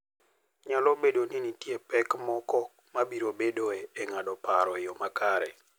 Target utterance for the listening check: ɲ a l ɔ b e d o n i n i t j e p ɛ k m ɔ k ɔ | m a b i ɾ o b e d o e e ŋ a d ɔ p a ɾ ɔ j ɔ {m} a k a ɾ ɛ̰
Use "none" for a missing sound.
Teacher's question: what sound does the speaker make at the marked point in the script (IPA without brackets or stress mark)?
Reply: m